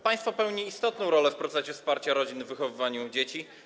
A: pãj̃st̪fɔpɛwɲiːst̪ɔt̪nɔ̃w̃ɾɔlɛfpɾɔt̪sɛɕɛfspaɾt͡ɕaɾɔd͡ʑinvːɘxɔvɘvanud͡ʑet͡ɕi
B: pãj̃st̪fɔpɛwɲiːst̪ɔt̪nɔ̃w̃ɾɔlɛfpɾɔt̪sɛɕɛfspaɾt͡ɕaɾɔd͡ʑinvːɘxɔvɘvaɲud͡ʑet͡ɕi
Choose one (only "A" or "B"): B